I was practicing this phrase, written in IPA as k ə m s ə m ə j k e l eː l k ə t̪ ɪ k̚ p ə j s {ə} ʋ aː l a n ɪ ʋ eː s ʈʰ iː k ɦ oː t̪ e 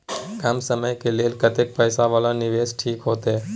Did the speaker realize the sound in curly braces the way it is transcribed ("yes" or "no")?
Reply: no